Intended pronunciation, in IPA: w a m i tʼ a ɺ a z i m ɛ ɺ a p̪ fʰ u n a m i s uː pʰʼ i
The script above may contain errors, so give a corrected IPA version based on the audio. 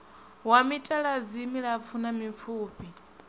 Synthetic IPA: w a m i tʼ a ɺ a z i m i ɺ a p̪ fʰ u n a m i f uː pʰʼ i